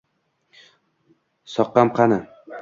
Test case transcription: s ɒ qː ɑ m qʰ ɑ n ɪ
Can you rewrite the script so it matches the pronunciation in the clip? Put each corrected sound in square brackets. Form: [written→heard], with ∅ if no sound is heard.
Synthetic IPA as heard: s ɒ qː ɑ m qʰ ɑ n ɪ